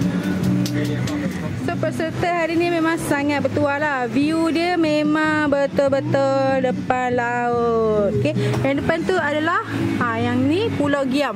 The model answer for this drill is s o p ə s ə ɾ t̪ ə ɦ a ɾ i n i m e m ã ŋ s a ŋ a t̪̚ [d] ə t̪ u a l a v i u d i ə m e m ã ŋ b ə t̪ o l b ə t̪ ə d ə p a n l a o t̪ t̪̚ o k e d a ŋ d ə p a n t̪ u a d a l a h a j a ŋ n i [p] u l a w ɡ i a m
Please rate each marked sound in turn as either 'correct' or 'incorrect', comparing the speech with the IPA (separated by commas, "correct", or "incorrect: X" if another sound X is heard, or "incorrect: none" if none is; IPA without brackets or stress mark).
incorrect: b, correct